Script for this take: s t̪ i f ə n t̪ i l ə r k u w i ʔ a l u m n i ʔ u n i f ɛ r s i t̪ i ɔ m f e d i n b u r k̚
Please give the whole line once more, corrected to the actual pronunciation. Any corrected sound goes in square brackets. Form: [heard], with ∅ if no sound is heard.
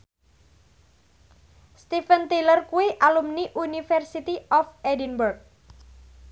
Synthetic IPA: s t̪ i f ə n t̪ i l ə r k u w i ʔ a l u m n i ʔ u n i f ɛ r s i t̪ i ɔ [∅] f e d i n b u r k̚